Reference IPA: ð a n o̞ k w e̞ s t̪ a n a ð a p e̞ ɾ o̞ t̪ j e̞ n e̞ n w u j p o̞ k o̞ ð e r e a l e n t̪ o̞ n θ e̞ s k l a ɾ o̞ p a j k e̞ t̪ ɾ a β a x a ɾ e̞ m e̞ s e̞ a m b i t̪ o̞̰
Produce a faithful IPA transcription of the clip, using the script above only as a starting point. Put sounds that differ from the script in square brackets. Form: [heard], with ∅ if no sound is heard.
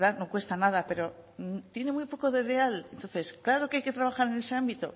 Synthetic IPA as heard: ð a n o̞ k w e̞ s t̪ a n a ð a p e̞ ɾ o̞ t̪ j e̞ n e̞ [m] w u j p o̞ k o̞ ð e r e a l e n t̪ o̞ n θ e̞ s k l a ɾ o̞ [k] a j k e̞ t̪ ɾ a β a x a ɾ e̞ [n] e̞ s e̞ a m b i t̪ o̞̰